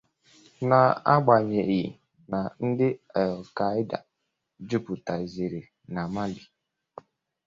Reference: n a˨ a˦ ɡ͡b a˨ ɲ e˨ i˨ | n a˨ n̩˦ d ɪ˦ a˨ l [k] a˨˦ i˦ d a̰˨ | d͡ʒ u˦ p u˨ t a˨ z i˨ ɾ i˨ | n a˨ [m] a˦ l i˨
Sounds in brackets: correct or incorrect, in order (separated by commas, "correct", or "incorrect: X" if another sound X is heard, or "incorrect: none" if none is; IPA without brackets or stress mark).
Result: correct, correct